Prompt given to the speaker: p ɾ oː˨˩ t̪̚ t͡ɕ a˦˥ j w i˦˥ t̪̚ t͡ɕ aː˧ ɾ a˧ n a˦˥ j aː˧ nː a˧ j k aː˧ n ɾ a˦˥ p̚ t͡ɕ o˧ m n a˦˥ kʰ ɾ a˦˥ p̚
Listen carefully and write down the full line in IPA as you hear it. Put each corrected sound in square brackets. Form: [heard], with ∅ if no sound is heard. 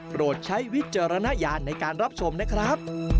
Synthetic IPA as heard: p ɾ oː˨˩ t̪̚ [t͡ɕʰ] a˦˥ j w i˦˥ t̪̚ t͡ɕ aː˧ ɾ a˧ n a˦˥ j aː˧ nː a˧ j k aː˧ n ɾ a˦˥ p̚ [t͡ɕʰ] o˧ m n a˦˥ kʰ ɾ a˦˥ p̚